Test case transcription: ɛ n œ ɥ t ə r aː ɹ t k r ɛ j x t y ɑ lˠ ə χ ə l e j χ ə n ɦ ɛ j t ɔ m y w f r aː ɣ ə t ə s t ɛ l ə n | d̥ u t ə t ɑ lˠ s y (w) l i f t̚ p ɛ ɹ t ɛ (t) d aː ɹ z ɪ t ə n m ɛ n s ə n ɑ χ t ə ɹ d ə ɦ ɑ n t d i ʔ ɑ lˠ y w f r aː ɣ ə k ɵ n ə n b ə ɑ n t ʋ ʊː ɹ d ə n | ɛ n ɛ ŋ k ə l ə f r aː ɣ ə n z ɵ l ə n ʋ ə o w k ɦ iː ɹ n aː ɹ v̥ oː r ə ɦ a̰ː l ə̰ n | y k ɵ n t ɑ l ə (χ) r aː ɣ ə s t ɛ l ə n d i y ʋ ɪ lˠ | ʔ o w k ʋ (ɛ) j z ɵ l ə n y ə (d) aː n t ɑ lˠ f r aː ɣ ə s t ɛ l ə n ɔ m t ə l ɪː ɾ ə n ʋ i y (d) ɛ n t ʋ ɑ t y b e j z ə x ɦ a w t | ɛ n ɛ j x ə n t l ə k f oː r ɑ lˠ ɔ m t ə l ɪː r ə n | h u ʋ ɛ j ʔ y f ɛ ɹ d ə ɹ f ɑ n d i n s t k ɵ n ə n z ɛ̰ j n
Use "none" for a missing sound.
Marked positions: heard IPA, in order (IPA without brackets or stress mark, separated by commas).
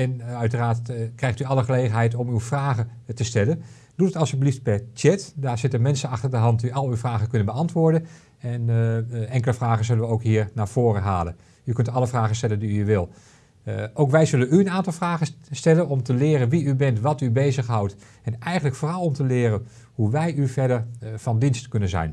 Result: b, t, f, ɛ, n, b